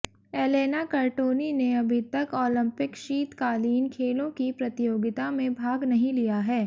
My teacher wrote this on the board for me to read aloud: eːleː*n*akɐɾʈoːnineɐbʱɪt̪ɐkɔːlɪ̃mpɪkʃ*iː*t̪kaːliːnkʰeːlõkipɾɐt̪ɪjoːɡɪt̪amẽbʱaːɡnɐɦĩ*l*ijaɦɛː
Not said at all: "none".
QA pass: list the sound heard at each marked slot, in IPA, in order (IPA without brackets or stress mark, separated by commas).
n, iː, l